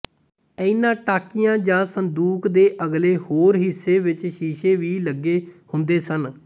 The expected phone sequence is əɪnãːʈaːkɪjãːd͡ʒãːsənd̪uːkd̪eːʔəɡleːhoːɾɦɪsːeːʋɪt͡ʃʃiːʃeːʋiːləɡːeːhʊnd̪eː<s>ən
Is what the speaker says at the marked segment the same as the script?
yes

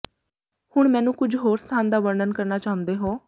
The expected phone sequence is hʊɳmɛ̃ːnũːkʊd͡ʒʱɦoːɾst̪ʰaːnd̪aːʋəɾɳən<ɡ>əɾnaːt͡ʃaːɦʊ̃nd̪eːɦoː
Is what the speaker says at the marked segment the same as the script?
no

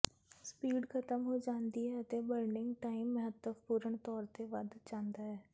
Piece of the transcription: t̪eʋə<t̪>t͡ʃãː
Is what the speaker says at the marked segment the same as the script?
no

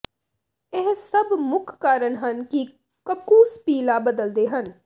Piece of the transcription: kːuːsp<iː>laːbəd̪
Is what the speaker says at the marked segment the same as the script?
yes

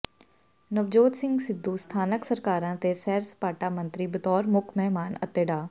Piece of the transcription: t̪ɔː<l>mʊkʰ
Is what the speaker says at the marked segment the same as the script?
no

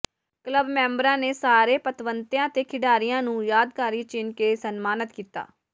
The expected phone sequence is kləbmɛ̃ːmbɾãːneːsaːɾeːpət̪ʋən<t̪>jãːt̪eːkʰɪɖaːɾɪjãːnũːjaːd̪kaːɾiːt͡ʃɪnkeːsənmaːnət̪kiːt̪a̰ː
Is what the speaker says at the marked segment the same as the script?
yes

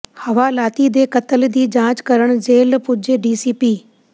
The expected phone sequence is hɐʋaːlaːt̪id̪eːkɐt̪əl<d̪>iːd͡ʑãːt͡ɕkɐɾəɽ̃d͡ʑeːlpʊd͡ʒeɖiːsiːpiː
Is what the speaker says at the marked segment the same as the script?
yes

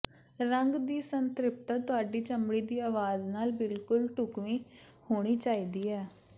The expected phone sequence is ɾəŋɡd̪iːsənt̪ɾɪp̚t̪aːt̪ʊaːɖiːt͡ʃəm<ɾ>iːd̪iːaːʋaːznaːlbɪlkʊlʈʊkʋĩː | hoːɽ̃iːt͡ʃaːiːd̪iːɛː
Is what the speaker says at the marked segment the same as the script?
no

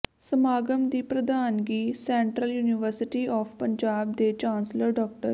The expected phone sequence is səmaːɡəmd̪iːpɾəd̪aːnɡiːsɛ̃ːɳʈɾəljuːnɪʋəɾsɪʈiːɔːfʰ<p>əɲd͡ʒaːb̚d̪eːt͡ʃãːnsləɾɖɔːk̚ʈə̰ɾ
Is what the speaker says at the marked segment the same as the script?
yes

